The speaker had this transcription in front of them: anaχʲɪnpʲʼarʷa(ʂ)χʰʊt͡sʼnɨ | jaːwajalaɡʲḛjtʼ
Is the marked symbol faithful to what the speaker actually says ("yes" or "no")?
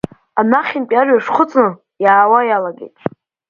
yes